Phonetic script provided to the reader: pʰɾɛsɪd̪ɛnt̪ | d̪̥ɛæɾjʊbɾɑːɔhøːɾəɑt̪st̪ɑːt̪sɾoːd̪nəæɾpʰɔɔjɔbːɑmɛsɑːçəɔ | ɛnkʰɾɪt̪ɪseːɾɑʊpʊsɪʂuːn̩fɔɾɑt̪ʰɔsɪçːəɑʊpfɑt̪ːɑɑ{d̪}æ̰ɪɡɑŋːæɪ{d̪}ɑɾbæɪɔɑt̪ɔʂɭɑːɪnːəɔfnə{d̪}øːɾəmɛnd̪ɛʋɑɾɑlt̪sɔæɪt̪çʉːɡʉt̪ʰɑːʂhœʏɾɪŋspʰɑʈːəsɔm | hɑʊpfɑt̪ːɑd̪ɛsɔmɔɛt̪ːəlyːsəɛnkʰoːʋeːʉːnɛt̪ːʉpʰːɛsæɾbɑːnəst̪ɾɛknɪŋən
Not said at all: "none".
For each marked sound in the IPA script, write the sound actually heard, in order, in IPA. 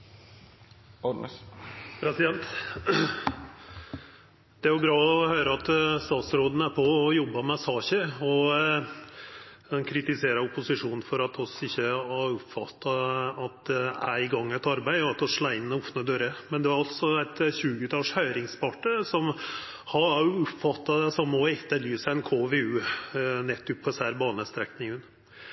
t̪, t̪, d̪

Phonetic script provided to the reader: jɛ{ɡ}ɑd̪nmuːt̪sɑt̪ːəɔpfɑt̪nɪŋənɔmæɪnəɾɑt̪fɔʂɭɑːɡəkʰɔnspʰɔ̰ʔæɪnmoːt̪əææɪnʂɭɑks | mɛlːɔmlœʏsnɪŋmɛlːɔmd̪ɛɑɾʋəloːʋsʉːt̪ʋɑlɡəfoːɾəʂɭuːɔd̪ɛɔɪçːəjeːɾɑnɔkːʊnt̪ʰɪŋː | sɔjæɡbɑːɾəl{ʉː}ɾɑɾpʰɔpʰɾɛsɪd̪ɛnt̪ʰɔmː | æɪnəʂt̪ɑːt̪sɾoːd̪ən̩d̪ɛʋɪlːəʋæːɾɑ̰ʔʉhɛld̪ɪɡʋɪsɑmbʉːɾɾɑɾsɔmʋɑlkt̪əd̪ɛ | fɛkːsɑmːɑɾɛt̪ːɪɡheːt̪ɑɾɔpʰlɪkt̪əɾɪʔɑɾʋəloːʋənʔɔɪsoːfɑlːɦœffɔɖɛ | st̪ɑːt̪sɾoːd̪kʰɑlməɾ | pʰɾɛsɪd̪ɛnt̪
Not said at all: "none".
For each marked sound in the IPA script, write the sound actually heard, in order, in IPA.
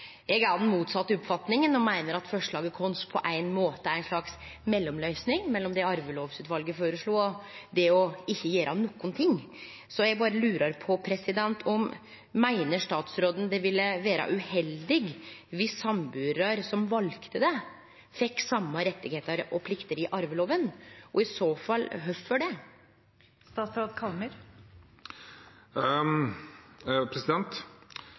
ɡ, ʉː

